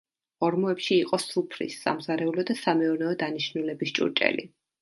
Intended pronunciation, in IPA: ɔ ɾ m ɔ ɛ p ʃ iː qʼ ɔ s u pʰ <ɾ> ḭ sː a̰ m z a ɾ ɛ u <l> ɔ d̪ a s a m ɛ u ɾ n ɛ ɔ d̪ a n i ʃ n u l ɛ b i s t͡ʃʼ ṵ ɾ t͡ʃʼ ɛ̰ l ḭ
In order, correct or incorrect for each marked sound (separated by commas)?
correct, correct